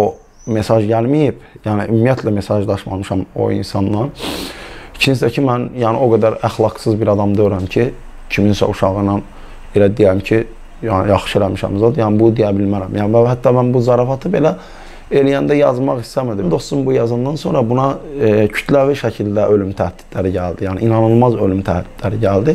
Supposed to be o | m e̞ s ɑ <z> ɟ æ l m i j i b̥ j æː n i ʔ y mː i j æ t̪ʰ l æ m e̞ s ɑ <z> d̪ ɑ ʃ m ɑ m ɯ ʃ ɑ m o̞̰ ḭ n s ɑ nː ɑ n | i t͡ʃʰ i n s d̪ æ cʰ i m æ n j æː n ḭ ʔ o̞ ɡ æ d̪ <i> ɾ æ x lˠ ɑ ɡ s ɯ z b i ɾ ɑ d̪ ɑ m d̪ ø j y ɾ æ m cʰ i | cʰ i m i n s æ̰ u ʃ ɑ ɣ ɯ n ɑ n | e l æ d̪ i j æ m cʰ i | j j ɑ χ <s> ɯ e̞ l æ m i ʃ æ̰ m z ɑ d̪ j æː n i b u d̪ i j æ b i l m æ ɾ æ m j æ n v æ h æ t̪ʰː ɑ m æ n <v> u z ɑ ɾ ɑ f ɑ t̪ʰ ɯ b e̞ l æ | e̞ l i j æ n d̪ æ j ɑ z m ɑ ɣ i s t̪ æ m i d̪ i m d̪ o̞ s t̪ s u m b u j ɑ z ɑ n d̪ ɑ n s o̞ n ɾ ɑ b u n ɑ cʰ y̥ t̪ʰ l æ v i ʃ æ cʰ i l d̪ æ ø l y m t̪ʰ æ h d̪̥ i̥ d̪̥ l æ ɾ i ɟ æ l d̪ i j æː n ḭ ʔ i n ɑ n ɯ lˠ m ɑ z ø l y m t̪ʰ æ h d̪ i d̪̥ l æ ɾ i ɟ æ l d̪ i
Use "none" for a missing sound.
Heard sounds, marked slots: ʒ, ʒ, æ, ʃ, b

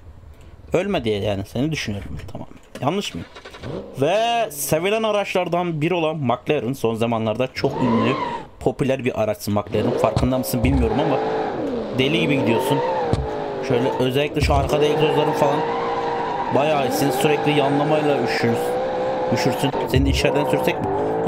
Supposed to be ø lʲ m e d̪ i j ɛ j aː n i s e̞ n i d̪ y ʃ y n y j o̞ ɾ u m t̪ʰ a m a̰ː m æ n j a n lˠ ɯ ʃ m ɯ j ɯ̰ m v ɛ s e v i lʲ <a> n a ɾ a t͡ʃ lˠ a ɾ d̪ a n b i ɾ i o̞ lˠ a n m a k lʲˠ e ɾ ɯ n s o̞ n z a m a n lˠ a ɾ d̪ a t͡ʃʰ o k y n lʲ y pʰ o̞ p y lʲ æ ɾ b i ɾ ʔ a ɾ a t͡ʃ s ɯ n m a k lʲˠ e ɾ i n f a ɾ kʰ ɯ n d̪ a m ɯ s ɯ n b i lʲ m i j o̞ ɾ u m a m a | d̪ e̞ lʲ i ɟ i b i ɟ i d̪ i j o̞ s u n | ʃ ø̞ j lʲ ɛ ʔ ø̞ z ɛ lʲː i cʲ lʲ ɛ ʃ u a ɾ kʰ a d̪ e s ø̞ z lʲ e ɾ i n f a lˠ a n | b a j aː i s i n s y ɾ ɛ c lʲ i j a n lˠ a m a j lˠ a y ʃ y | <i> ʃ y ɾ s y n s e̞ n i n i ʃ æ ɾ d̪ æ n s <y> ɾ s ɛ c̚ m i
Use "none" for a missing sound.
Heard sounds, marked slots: æ, y, y

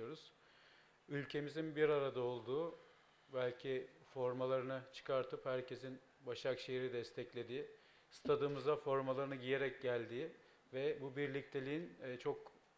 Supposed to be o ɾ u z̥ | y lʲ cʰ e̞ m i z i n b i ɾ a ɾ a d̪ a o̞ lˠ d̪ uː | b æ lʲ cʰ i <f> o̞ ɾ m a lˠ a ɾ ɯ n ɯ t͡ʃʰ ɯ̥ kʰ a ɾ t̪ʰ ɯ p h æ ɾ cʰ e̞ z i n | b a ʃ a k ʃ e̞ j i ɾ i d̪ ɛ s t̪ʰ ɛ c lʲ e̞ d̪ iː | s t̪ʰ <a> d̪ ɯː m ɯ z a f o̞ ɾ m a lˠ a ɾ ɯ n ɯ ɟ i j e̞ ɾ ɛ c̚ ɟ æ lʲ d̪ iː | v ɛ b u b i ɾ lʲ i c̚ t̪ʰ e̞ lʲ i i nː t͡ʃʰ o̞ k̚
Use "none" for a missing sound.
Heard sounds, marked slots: f, a

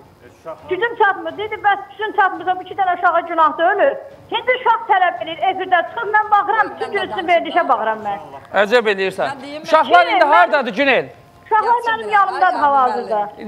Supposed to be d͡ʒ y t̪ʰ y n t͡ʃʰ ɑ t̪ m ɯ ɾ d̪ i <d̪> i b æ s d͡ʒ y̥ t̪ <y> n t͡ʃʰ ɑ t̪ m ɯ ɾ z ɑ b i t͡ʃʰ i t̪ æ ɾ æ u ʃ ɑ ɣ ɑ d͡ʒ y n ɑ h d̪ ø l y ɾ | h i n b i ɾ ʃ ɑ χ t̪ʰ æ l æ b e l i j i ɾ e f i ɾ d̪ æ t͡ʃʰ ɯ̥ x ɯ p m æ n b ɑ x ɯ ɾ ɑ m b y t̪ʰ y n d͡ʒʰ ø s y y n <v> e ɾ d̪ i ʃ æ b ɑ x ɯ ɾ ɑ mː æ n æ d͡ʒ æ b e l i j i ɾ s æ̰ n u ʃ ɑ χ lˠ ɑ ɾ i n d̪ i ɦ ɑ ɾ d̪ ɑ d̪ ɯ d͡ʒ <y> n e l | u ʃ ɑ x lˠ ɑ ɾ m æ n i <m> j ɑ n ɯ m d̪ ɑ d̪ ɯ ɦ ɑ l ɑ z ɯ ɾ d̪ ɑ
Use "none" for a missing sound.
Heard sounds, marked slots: d̪, y, v, y, m

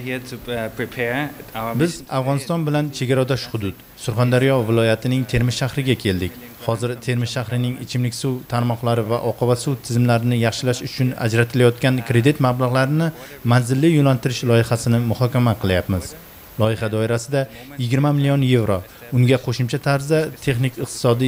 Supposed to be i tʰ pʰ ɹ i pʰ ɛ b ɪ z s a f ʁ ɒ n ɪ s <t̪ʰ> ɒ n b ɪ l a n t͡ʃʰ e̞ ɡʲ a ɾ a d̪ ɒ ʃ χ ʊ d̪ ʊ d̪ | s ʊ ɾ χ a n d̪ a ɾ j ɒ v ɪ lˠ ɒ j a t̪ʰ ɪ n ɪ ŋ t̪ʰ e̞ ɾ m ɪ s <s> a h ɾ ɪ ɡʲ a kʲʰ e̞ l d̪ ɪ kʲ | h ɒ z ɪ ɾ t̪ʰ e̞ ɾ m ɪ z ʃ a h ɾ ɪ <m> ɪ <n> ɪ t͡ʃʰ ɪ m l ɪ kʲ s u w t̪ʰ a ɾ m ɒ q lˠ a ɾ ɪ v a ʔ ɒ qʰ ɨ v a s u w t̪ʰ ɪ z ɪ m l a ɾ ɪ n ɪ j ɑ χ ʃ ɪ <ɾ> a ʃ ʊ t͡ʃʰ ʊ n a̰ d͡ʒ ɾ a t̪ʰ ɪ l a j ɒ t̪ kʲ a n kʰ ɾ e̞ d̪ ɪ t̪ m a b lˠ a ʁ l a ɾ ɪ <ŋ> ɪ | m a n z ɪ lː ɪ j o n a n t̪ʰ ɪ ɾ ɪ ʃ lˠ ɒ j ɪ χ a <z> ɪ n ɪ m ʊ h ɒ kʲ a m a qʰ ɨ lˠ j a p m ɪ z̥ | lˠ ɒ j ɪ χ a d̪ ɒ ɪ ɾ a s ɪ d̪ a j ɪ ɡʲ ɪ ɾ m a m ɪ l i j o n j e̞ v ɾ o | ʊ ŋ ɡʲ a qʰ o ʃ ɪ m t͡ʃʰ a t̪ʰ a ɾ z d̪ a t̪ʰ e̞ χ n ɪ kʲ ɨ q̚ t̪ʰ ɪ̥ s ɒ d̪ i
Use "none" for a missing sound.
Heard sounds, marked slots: t̪, ʃ, n, ŋ, l, n, s

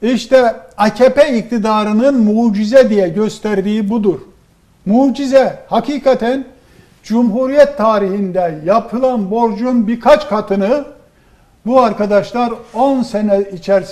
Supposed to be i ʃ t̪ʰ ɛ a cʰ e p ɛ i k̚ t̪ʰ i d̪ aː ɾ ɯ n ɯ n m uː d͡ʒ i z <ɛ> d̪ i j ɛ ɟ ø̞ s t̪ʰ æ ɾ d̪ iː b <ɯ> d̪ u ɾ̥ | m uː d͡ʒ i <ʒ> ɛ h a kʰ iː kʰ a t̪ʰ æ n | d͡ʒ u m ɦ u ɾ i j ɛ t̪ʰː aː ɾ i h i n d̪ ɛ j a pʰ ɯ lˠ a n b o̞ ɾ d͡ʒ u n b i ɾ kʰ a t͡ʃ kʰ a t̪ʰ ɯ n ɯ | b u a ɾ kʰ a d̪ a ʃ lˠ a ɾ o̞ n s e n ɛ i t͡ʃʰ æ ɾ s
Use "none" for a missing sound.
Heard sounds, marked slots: ɛ, u, z

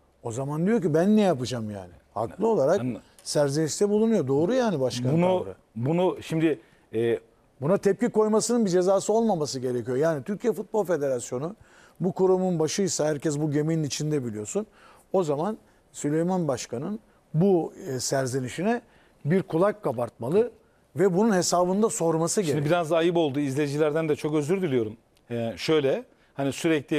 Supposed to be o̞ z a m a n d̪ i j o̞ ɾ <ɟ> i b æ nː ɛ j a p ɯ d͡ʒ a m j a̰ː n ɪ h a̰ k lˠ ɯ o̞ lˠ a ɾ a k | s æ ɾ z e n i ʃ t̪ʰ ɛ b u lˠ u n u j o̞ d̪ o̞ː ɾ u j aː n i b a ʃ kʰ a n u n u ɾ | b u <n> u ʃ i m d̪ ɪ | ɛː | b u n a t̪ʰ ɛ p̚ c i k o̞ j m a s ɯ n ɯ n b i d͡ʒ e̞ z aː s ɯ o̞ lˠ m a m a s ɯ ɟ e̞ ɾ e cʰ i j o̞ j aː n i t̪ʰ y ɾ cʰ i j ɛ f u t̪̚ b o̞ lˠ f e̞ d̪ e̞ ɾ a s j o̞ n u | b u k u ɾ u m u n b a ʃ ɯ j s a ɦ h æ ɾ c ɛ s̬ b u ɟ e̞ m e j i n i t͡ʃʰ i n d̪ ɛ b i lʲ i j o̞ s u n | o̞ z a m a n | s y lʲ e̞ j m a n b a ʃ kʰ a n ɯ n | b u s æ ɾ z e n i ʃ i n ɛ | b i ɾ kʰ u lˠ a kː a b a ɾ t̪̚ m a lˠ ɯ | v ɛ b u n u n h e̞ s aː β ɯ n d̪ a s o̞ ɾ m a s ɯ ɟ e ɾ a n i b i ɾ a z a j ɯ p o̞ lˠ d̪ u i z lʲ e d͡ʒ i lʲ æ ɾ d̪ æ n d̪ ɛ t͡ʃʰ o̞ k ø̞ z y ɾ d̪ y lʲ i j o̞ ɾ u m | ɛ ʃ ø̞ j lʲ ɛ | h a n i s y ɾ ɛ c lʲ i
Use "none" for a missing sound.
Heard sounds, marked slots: c, n

